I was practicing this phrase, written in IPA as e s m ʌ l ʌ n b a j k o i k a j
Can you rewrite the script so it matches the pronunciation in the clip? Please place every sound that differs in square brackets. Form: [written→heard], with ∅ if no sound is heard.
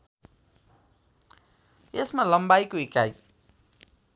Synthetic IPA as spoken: e s m [ʌ→a] l ʌ [n→m] b a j k o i k a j